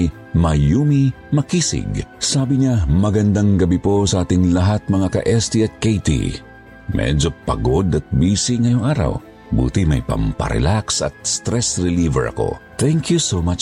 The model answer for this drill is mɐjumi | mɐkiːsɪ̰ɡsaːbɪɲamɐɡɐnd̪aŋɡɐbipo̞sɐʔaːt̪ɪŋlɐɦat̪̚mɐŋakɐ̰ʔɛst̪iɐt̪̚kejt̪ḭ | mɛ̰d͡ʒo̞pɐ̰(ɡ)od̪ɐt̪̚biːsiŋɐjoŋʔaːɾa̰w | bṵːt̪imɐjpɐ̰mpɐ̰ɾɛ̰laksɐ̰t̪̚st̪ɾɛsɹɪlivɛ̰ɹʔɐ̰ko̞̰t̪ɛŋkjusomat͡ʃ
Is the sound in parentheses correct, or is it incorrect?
correct